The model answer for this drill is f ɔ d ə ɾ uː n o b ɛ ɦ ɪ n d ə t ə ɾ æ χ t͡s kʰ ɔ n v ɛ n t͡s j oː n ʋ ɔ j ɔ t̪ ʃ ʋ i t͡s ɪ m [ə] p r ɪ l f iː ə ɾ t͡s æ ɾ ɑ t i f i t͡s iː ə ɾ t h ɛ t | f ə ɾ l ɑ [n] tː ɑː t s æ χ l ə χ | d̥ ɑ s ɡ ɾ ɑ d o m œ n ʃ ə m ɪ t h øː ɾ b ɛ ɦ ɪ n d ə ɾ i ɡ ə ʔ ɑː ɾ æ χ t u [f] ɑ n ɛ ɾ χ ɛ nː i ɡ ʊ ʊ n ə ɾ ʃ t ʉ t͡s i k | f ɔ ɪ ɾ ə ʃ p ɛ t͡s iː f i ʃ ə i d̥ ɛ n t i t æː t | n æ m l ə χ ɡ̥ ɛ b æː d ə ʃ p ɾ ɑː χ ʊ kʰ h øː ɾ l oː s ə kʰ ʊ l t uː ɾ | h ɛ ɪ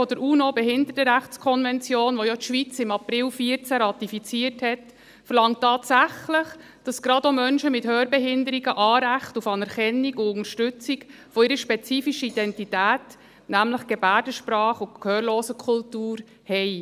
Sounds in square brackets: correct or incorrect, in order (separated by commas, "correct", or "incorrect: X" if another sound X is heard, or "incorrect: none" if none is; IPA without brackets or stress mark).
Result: incorrect: ɑ, incorrect: ŋ, correct